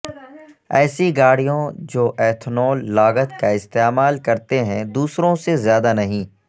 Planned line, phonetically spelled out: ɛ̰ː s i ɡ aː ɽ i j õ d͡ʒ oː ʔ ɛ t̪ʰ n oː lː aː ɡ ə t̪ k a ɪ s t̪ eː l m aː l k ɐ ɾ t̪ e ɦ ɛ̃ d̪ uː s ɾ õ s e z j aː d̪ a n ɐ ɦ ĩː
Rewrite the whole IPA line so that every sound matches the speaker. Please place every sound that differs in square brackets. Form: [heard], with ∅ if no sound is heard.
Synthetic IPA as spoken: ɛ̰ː s i ɡ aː ɽ i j õ d͡ʒ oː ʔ [ɛː] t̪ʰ n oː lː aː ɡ ə t̪ k a ɪ s t̪ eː [∅] m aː l k ɐ ɾ t̪ e ɦ ɛ̃ d̪ uː s ɾ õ s e z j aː d̪ a n ɐ ɦ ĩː